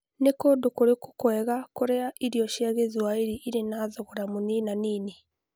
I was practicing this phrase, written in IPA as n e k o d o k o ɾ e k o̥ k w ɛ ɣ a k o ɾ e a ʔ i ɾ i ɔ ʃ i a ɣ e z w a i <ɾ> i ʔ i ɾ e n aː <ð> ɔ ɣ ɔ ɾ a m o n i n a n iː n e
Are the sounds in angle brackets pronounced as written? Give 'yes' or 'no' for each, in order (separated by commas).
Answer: yes, yes